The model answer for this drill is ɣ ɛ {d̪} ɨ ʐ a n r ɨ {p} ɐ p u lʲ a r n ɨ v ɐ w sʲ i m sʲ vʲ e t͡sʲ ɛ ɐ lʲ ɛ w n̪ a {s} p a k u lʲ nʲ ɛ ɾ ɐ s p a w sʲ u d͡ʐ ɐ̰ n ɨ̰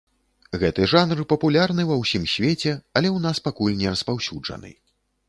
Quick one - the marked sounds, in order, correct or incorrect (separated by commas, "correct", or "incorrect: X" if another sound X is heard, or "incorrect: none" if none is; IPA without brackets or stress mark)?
incorrect: t̪, correct, correct